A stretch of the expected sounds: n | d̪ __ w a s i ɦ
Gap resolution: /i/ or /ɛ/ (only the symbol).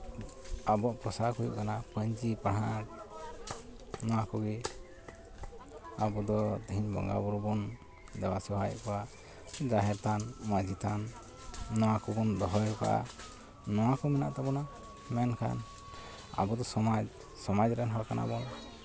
ɛ